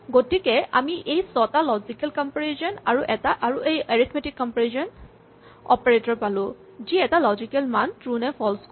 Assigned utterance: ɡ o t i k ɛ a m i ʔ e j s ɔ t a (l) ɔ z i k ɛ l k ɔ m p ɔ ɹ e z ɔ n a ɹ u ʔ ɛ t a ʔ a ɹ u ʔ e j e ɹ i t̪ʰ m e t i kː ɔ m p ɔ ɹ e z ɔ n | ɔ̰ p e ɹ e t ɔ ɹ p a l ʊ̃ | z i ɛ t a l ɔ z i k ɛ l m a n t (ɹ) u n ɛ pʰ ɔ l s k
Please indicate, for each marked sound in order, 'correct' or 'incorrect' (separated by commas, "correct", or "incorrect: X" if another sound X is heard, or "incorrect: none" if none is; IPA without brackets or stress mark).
correct, correct